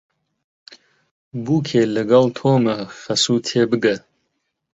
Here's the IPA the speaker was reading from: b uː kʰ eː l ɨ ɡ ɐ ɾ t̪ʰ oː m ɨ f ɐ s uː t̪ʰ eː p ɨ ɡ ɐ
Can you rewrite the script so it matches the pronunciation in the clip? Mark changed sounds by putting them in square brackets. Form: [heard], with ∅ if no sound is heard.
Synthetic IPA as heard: b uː kʰ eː l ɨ ɡ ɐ [l] t̪ʰ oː m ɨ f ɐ s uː t̪ʰ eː [b] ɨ ɡ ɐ